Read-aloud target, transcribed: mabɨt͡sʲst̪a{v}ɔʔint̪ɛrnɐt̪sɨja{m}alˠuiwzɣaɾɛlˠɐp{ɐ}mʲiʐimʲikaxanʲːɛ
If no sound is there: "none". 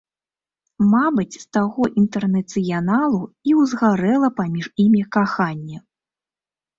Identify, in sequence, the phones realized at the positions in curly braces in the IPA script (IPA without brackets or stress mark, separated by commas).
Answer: ɣ, n, a